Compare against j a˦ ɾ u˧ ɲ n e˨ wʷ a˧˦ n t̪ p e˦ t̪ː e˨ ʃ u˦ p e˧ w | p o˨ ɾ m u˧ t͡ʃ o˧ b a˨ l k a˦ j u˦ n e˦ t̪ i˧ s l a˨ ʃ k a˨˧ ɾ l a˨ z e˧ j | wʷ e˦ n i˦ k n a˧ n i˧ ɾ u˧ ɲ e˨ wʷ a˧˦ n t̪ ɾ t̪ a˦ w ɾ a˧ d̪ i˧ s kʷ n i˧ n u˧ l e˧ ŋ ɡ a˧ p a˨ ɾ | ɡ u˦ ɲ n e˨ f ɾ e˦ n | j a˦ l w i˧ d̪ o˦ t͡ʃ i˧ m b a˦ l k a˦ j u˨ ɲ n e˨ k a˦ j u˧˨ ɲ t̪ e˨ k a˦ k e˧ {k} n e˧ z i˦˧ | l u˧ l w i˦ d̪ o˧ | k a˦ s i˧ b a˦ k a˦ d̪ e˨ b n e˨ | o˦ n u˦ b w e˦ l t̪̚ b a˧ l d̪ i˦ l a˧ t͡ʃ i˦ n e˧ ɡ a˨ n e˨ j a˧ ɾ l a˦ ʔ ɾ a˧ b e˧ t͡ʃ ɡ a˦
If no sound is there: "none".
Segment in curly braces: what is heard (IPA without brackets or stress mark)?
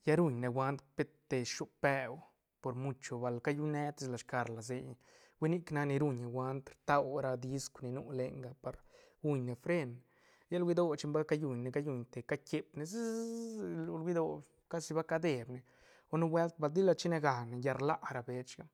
p